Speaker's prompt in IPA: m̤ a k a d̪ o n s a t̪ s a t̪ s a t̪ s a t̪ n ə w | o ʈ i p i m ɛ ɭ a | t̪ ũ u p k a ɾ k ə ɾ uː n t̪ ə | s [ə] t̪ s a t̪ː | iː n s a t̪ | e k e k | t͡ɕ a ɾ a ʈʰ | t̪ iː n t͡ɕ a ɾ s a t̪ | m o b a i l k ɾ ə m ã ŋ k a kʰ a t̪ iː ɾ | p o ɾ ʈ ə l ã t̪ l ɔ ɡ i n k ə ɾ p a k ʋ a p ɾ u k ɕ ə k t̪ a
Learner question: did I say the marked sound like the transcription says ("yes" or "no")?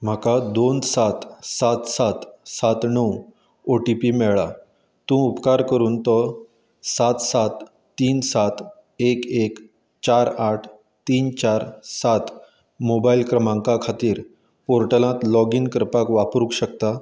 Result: no